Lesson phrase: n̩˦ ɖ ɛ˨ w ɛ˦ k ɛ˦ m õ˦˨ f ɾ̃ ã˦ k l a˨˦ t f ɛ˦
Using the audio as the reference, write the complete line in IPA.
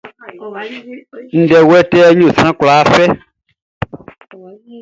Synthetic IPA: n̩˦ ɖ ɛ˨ w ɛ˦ t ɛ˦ ɲ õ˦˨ s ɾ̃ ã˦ k l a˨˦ f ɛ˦